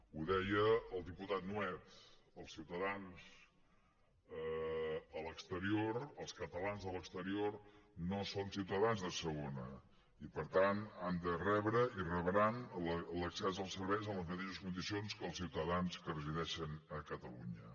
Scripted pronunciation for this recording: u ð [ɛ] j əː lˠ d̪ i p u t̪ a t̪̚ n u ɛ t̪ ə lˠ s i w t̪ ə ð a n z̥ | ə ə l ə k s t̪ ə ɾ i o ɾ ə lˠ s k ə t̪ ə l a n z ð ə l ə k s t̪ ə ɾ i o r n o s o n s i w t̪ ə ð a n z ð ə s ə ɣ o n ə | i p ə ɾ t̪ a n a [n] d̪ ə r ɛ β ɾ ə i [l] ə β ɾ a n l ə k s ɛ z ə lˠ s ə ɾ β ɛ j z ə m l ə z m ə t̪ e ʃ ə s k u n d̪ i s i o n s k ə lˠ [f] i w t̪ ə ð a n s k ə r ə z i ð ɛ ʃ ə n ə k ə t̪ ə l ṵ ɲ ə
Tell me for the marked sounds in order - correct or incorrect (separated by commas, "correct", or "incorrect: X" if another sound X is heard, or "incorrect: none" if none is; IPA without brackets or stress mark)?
correct, correct, incorrect: r, incorrect: s